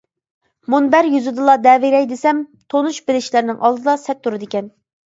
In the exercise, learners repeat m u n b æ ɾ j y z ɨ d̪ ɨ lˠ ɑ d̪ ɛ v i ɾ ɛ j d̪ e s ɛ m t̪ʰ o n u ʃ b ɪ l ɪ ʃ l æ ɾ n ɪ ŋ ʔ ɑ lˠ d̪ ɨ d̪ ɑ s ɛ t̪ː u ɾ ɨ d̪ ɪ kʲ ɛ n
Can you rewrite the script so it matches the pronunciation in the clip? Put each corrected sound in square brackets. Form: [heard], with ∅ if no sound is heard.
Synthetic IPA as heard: m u n b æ ɾ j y z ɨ d̪ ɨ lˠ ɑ d̪ ɛ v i ɾ ɛ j d̪ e s ɛ m t̪ʰ o n u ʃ b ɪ l ɪ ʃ l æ ɾ n ɪ ŋ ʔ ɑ lˠ d̪ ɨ d̪ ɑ s ɛ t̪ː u ɾ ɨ d̪ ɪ kʲ ɛ n